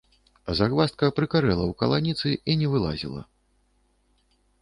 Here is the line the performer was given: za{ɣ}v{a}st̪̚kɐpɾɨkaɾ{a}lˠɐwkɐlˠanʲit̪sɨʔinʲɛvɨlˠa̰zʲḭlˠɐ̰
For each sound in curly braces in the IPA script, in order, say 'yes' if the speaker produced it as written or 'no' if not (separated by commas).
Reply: yes, yes, no